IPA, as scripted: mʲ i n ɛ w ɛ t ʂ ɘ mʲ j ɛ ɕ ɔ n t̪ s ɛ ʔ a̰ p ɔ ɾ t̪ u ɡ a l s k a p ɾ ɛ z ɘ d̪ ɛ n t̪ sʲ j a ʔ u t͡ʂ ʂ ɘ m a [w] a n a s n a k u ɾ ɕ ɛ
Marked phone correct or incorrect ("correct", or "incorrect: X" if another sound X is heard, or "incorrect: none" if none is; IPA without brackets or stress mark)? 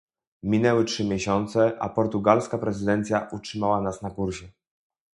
correct